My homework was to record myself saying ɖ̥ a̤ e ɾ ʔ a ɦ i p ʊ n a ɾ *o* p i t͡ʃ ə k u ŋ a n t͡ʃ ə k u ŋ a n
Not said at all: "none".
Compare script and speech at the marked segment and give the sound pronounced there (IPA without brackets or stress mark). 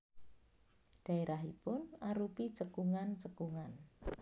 u